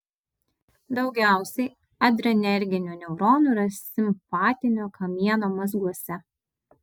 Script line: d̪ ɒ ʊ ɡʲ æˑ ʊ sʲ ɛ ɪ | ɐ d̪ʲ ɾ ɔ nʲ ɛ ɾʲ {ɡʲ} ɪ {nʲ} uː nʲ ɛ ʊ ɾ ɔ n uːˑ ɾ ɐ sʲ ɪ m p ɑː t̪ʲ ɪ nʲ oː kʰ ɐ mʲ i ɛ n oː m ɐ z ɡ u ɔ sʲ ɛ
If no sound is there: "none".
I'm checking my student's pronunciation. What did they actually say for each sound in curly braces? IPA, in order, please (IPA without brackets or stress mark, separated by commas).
ɡʲ, nʲ